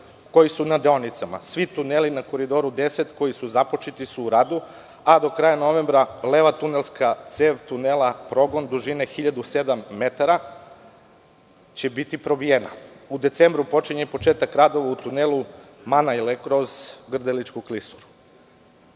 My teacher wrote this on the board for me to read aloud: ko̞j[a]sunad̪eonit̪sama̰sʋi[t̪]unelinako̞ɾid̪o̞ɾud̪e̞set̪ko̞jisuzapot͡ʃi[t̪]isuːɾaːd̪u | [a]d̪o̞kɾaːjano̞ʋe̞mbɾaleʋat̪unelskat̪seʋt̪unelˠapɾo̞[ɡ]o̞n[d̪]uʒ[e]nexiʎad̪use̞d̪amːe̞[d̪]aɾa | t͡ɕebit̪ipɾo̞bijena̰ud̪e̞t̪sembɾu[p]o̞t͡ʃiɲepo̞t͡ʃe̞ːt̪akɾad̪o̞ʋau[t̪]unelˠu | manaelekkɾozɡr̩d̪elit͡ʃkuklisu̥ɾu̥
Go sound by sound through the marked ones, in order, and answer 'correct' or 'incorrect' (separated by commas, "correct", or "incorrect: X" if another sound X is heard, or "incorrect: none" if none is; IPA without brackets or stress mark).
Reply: incorrect: i, correct, correct, correct, correct, correct, incorrect: i, incorrect: t̪, correct, correct